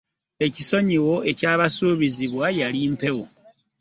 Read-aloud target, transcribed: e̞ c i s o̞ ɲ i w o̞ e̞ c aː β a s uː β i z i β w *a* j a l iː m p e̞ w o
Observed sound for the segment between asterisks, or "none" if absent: a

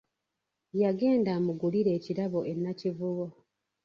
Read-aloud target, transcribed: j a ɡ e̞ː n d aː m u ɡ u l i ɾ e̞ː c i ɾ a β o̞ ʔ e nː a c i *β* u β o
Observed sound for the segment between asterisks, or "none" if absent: v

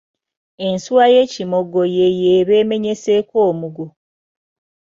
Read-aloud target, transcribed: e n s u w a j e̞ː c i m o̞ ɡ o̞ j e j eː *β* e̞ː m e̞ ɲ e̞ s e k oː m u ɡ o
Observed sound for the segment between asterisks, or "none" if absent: β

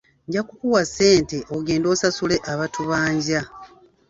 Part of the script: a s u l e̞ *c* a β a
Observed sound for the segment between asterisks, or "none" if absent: ʔ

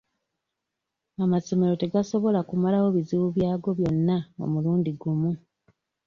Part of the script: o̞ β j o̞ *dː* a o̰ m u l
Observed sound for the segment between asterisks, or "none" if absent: nː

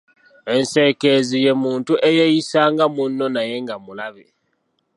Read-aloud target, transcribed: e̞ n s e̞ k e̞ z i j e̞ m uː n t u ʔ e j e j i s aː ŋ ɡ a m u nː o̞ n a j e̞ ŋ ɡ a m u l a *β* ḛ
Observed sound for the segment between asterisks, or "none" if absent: β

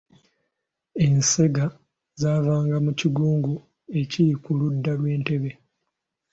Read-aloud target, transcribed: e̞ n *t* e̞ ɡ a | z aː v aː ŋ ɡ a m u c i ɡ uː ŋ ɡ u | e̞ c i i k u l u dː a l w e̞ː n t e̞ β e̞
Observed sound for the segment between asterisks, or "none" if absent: s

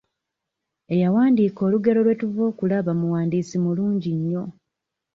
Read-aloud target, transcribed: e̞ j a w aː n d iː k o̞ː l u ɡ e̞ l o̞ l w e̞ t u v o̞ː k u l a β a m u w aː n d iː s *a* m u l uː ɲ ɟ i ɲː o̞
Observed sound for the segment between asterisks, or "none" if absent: i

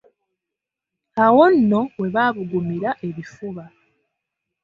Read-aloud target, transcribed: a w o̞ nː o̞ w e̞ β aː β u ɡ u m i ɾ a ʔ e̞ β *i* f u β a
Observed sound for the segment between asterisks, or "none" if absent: i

